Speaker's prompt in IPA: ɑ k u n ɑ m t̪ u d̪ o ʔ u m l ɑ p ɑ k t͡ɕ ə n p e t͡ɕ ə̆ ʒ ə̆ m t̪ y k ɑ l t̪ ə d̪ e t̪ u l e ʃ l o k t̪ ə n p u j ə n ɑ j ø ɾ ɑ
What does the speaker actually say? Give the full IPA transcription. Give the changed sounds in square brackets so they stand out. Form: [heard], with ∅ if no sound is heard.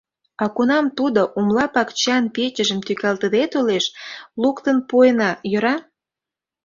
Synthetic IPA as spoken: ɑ k u n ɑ m t̪ u d̪ o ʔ u m l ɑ p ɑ k t͡ɕ [ɑ] n p e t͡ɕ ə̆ ʒ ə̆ m t̪ y k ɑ l t̪ ə d̪ e t̪ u l e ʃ l [u] k t̪ ə n p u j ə n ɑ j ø ɾ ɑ